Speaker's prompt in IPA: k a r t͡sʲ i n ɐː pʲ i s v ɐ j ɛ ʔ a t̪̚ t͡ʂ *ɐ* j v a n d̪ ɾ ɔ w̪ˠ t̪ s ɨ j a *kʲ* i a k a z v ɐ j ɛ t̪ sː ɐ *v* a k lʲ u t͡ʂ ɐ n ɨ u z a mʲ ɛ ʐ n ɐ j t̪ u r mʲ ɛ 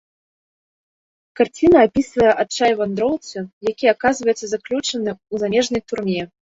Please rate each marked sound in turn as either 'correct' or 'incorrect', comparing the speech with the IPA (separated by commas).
incorrect, correct, incorrect